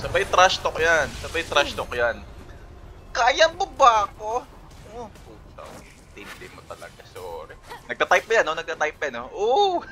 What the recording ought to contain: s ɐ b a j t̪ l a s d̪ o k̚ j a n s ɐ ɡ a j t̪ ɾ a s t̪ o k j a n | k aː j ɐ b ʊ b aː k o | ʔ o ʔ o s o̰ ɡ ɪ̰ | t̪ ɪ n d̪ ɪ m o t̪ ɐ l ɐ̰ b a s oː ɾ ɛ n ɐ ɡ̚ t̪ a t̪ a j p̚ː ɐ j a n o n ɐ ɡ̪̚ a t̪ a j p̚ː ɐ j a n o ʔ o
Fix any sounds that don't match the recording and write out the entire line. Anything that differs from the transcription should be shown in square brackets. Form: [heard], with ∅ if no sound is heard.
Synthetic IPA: s ɐ b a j t̪ [ɾ] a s [t̪] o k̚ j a n s ɐ [b] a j t̪ ɾ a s t̪ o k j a n | k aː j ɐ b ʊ b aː k o | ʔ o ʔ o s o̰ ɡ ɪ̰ | t̪ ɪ n d̪ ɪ m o t̪ ɐ l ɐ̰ [ɡ] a s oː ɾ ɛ n ɐ ɡ̚ t̪ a t̪ a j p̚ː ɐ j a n o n ɐ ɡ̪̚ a t̪ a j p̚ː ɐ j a n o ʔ o